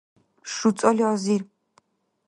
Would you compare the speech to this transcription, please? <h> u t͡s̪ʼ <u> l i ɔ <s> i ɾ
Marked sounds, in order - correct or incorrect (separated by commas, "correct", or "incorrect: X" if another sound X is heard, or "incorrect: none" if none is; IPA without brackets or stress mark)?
incorrect: ʃ, incorrect: ɔ, incorrect: z